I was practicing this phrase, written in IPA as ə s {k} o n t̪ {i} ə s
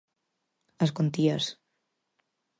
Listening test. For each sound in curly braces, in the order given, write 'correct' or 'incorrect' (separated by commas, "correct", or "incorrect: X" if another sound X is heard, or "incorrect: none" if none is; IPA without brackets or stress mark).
correct, correct